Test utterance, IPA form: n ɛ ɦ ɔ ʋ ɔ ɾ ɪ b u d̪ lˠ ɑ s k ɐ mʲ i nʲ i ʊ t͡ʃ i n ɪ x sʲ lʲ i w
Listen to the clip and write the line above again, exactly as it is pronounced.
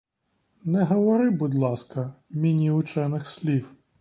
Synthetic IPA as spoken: n ɛ ɦ ɔ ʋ ɔ ɾ ɪ b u d̪ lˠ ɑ s k ɐ mʲ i nʲ i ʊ t͡ʃ ɛ n ɪ x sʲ lʲ i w